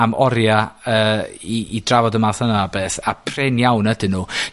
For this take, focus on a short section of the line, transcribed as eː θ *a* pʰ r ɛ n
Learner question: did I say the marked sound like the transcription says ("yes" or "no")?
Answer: yes